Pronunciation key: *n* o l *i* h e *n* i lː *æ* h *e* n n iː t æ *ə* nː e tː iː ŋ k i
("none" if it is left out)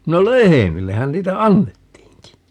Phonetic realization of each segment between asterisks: n, e, m, e, æ, ɑ

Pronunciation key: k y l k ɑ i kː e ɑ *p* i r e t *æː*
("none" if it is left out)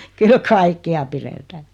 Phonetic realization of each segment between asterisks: p, æː

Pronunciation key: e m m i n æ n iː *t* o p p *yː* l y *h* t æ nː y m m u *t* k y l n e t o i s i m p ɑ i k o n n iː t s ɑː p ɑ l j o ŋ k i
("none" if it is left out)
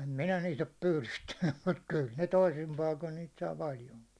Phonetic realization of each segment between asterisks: t, yː, s, t

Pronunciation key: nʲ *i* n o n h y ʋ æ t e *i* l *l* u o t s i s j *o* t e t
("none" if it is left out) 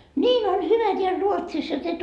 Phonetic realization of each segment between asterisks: iː, æ, r, o

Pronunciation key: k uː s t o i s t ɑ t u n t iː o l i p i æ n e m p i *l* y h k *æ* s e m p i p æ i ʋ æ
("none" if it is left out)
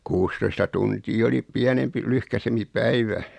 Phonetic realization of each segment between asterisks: l, æ

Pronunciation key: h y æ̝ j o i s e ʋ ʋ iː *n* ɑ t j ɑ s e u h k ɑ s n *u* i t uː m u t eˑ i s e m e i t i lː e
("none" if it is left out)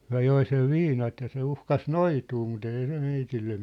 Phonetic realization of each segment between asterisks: n, o

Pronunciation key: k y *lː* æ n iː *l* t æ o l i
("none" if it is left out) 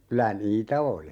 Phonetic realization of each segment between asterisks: l, none

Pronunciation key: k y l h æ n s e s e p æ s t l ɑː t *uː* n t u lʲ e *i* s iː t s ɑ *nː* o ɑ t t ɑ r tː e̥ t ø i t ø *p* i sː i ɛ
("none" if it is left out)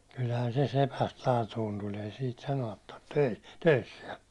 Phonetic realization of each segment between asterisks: uː, i, n, none

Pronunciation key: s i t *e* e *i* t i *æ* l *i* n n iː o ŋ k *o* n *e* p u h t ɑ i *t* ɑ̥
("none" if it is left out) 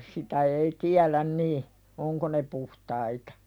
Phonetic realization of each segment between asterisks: æ, i, æ, æ, o, e, t

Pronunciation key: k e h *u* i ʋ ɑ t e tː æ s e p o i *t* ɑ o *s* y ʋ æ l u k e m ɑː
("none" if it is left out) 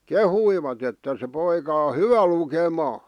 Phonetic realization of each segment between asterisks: u, k, h

